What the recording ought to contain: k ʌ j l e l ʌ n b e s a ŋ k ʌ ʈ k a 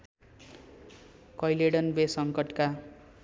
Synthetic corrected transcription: k ʌ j l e ɽ ʌ n b e s ʌ ŋ k ʌ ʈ k a